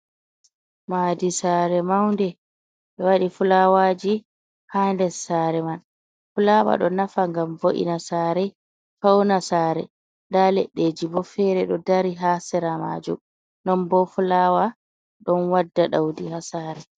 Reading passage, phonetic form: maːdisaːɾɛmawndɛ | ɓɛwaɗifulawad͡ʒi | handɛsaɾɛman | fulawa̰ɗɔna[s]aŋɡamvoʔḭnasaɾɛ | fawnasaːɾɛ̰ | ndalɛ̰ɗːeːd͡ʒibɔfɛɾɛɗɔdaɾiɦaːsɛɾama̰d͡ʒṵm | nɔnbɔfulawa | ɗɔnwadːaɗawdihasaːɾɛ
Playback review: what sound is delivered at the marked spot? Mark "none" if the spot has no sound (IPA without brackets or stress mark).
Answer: f